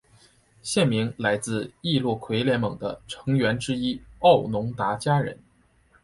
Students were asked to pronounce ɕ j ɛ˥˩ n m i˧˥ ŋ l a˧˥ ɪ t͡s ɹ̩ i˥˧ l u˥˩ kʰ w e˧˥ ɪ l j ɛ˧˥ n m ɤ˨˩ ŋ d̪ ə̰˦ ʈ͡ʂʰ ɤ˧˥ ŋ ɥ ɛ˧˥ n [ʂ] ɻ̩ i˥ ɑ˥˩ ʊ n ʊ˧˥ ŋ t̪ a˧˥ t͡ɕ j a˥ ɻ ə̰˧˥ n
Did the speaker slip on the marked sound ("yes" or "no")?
yes